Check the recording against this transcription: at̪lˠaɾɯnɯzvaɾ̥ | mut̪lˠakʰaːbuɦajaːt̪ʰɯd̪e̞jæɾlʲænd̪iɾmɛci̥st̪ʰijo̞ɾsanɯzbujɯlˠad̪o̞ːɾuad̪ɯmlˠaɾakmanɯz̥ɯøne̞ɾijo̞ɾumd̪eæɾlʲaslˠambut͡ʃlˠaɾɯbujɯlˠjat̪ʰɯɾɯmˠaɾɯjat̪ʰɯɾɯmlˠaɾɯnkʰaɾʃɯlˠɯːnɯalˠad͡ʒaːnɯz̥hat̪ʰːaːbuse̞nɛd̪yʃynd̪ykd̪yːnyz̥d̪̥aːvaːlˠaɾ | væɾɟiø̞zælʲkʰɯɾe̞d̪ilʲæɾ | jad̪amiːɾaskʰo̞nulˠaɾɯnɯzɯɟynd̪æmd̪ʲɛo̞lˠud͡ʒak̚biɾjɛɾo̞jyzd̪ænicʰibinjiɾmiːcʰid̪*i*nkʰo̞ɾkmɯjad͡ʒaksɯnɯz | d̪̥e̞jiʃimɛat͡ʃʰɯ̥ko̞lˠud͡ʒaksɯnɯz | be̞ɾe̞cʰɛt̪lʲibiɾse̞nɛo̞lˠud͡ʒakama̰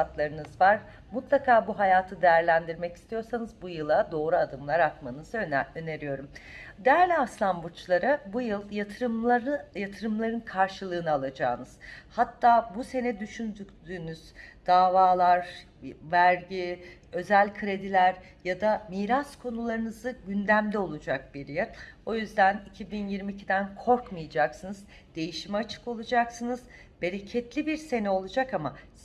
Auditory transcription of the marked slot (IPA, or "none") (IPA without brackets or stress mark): æ